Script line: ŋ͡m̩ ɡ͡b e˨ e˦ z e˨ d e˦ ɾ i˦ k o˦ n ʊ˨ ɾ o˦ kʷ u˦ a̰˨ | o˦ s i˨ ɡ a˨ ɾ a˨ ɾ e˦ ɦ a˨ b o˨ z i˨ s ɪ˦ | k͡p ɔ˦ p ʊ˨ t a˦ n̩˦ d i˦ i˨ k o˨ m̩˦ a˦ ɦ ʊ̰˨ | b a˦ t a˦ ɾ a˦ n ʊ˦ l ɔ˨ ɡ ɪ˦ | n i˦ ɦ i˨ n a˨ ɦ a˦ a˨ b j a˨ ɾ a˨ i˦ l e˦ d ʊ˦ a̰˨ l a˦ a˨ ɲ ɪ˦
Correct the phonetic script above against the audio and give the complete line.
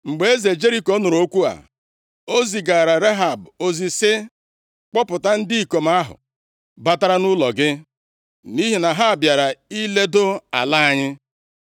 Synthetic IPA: ŋ͡m̩ ɡ͡b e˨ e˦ z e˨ d͡ʒ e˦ ɾ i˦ k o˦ n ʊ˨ ɾ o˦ kʷ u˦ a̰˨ | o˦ z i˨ ɡ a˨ ɾ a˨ ɾ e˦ ɦ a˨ b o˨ z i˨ s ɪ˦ | k͡p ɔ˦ p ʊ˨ t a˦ n̩˦ d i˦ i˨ k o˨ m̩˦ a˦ ɦ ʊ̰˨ | b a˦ t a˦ ɾ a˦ n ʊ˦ l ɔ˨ ɡ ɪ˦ | n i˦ ɦ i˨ n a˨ ɦ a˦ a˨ b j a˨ ɾ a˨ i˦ l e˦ d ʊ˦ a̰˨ l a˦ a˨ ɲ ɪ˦

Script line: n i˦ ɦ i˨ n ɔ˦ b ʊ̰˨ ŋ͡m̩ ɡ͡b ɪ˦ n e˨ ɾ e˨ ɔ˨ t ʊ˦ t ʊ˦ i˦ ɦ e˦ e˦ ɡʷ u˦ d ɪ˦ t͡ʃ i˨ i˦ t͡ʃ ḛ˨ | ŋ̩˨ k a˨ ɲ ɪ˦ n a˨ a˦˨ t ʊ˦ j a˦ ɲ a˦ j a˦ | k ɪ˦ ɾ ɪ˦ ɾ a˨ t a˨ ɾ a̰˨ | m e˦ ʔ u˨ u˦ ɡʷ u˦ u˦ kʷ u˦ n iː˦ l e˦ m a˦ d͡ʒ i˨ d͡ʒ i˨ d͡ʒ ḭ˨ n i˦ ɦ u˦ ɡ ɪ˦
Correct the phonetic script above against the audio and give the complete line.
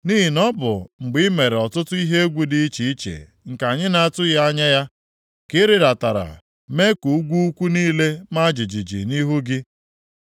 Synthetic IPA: n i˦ ɦ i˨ n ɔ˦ b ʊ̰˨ ŋ͡m̩ ɡ͡b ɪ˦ m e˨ ɾ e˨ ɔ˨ t ʊ˦ t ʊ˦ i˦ ɦ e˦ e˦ ɡʷ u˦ d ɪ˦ t͡ʃ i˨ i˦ t͡ʃ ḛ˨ | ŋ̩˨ k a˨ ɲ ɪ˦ n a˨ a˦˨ t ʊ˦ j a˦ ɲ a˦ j a˦ | k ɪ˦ ɾ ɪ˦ ɾ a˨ t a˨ ɾ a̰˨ | m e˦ k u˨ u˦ ɡʷ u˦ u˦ kʷ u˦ n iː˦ l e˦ m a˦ d͡ʒ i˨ d͡ʒ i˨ d͡ʒ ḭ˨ n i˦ ɦ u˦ ɡ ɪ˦

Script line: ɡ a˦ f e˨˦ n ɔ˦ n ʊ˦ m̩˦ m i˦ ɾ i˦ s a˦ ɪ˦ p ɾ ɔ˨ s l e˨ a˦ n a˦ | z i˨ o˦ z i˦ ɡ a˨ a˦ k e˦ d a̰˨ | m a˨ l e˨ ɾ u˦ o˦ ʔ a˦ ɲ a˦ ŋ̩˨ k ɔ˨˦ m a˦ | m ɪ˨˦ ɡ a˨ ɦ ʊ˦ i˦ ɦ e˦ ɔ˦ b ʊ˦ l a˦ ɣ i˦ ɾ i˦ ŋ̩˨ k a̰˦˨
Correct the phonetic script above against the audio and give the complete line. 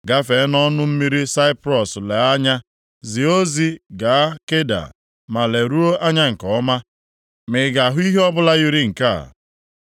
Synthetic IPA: ɡ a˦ f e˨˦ n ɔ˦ n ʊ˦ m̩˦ m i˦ ɾ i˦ s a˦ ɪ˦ p ɾ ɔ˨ s l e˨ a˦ ɲ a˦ | z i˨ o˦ z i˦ ɡ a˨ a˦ k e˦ d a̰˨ | m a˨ l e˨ ɾ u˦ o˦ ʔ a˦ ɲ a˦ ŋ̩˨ k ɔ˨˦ m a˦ | m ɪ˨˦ ɡ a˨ ɦ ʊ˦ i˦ ɦ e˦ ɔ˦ b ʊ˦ l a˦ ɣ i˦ ɾ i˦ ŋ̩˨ k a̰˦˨

